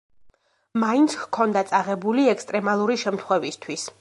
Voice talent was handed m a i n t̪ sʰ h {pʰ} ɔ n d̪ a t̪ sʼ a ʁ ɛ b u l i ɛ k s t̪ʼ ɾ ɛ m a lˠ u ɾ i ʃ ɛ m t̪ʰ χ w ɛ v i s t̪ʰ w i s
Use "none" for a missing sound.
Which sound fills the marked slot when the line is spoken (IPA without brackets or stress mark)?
kʰ